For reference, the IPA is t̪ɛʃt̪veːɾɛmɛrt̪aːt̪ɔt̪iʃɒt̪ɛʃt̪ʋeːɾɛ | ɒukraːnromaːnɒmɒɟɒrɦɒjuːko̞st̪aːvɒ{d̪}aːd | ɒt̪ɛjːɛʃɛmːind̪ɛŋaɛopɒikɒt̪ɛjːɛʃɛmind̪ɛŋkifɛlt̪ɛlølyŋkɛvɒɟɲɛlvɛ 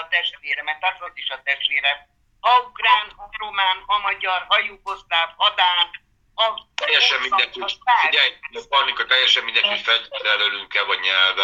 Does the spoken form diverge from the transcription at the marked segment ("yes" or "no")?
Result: no